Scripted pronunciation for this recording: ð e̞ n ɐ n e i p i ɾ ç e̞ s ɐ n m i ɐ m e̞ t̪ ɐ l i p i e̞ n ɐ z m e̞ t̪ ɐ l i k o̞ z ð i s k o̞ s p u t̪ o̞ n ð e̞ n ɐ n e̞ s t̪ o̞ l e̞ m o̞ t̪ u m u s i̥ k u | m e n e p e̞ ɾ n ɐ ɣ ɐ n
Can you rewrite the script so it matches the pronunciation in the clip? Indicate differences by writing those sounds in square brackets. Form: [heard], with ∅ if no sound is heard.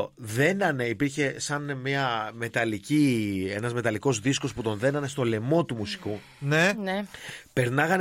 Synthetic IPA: ð e̞ n ɐ n e i p i ɾ ç e̞ s ɐ n m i ɐ m e̞ t̪ ɐ l i [c] i e̞ n ɐ z m e̞ t̪ ɐ l i k o̞ z ð i s k o̞ s p u t̪ o̞ n ð e̞ n ɐ n e̞ s t̪ o̞ l e̞ m o̞ t̪ u m u s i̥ k u | [n] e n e p e̞ ɾ n ɐ ɣ ɐ n